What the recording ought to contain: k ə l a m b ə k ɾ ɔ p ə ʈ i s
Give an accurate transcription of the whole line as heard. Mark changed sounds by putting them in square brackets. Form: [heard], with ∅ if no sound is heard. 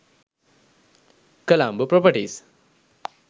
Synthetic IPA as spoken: k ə l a m b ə [p] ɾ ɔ p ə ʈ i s